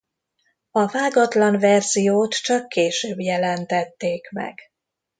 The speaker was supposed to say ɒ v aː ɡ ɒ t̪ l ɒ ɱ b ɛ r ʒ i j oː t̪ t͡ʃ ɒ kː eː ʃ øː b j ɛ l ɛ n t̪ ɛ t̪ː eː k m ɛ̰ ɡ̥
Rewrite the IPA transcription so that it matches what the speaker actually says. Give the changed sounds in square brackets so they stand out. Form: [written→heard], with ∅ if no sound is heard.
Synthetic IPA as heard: ɒ v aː ɡ ɒ t̪ l ɒ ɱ [b→v] ɛ r [ʒ→z] i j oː t̪ t͡ʃ ɒ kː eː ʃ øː b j ɛ l ɛ n t̪ ɛ t̪ː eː k m ɛ̰ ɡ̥

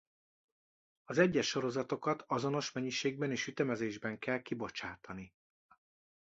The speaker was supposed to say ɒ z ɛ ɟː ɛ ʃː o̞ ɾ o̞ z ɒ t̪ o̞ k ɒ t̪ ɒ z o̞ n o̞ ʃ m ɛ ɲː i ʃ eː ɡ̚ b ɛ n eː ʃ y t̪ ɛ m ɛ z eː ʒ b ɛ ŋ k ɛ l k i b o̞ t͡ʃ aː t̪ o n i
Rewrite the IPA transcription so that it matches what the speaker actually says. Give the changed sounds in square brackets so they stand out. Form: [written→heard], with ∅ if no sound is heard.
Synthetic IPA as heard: ɒ z ɛ ɟː ɛ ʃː o̞ ɾ o̞ z ɒ t̪ o̞ k ɒ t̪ ɒ z o̞ n o̞ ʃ m ɛ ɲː i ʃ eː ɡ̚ b ɛ n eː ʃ y t̪ ɛ m ɛ z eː ʒ b ɛ ŋ k ɛ l k i b o̞ t͡ʃ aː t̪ [o→ɒ] n i

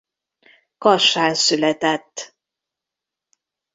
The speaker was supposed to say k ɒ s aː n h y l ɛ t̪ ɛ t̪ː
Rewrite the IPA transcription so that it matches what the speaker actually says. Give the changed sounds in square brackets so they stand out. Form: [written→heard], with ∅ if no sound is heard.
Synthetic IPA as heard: k ɒ [s→ʃ] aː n [h→s] y l ɛ t̪ ɛ t̪ː

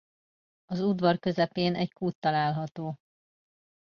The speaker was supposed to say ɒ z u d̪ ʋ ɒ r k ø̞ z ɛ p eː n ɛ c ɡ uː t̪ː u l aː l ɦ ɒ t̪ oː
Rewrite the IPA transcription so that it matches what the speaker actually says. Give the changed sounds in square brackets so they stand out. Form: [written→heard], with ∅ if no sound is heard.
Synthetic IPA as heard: ɒ z u d̪ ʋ ɒ r k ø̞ z ɛ p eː n ɛ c [ɡ→k] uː t̪ː [u→ɒ] l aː l ɦ ɒ t̪ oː

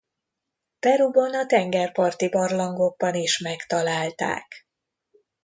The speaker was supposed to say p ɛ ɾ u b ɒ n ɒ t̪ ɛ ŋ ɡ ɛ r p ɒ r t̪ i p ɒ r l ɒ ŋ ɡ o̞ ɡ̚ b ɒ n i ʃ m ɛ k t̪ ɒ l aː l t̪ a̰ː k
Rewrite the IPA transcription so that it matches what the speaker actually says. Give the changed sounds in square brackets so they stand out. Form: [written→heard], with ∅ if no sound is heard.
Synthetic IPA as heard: p ɛ ɾ u b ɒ n ɒ t̪ ɛ ŋ ɡ ɛ r p ɒ r t̪ i [p→b] ɒ r l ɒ ŋ ɡ o̞ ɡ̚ b ɒ n i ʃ m ɛ k t̪ ɒ l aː l t̪ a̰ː k

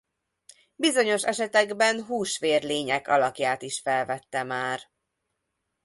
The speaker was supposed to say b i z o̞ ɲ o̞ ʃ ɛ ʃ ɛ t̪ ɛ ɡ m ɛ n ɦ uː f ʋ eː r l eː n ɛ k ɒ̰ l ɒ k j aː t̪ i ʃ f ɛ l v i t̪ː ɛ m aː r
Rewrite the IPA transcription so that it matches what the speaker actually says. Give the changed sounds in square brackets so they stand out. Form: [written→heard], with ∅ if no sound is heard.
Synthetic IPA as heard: b i z o̞ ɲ o̞ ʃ ɛ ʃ ɛ t̪ ɛ ɡ [m→b] ɛ n ɦ uː [f→ʃ] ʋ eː r l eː [n→ɲ] ɛ k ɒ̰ l ɒ k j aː t̪ i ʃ f ɛ l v [i→ɛ] t̪ː ɛ m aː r

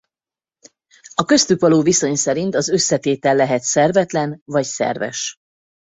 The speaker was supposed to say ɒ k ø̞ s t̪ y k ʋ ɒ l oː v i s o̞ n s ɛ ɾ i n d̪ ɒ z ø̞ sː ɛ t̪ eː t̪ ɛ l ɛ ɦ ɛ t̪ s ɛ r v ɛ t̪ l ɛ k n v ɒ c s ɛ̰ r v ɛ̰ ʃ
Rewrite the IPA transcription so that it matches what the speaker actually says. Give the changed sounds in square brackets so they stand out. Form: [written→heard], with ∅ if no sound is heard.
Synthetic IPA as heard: ɒ k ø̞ s t̪ y k ʋ ɒ l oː v i s o̞ [n→ɲ] s ɛ ɾ i n [d̪→t̪] ɒ z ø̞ sː ɛ t̪ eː t̪ ɛ [l→lː] ɛ ɦ ɛ t̪ s ɛ r v ɛ t̪ l ɛ [k→∅] n v ɒ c s ɛ̰ r v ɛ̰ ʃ

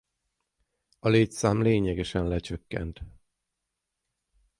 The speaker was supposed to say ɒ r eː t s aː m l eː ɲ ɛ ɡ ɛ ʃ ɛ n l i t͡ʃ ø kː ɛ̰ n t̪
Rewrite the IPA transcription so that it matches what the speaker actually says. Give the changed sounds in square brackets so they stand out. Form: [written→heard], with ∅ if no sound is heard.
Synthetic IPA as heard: ɒ [r→l] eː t s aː m l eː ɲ ɛ ɡ ɛ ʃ ɛ n l [i→ɛ] t͡ʃ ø kː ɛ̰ n t̪

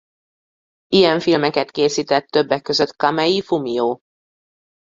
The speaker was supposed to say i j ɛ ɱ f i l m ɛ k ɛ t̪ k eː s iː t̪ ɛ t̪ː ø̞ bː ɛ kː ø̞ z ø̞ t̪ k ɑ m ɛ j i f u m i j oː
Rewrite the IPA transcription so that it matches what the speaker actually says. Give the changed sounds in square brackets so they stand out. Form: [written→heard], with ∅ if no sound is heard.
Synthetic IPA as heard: i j ɛ ɱ f i l m ɛ k ɛ t̪ k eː s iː t̪ ɛ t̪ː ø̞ bː ɛ kː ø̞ z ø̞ t̪ k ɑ m ɛ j i f u m i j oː

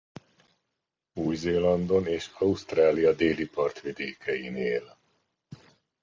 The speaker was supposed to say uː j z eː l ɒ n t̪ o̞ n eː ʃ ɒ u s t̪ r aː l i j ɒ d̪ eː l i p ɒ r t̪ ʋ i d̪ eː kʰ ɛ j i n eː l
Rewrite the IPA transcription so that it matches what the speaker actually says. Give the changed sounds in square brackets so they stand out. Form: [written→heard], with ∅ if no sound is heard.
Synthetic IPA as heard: uː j z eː l ɒ n [t̪→d̪] o̞ n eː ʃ ɒ u s t̪ r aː l i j ɒ d̪ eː l i p ɒ r t̪ ʋ i d̪ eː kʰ ɛ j i n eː l

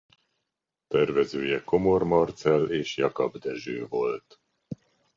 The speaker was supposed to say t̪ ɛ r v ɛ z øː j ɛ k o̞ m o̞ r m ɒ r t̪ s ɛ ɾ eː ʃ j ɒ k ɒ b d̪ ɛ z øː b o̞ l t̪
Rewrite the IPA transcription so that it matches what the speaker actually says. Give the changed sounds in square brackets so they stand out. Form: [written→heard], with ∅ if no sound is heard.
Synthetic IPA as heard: t̪ ɛ r v ɛ z øː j ɛ k o̞ m o̞ r m ɒ r t̪ s ɛ [ɾ→l] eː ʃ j ɒ k ɒ b d̪ ɛ [z→ʒ] øː [b→v] o̞ l t̪

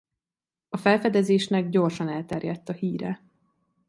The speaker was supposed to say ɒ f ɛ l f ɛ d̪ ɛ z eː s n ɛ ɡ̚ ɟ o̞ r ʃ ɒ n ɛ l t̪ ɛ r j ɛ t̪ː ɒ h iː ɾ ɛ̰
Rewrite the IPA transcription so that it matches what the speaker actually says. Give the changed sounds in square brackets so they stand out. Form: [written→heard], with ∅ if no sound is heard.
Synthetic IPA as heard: ɒ f ɛ l f ɛ d̪ ɛ z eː [s→ʃ] n ɛ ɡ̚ ɟ o̞ r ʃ ɒ n ɛ l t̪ ɛ r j ɛ t̪ː ɒ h iː ɾ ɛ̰

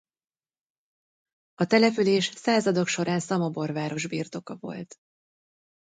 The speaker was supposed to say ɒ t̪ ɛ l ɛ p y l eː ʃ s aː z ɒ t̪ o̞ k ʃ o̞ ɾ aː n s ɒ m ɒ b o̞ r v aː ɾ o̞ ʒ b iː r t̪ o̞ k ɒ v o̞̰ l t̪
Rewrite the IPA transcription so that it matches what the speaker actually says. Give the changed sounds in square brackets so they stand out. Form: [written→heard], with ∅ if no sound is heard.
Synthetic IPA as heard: ɒ t̪ ɛ l ɛ p y l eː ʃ s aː z ɒ [t̪→d̪] o̞ k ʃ o̞ ɾ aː n s ɒ m ɒ b o̞ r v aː ɾ o̞ ʒ b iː r t̪ o̞ k ɒ v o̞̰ l t̪

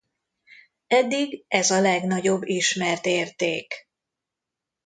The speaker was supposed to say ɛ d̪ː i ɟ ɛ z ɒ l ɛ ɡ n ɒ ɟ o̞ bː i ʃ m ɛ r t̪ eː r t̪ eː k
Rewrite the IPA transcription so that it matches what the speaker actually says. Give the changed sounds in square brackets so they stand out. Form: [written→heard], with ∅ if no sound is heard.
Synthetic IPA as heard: ɛ d̪ː i [ɟ→ɡ] ɛ z ɒ l ɛ ɡ n ɒ ɟ o̞ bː i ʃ m ɛ r t̪ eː r t̪ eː k

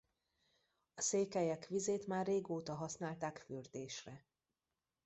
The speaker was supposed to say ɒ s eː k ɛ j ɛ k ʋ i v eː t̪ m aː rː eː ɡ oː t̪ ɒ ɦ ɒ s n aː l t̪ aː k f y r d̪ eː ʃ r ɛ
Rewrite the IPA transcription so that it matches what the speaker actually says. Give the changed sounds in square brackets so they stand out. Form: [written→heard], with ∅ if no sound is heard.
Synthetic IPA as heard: ɒ s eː k ɛ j ɛ k ʋ i [v→z] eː t̪ m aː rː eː ɡ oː t̪ ɒ ɦ ɒ s n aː l t̪ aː k f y r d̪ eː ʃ r ɛ

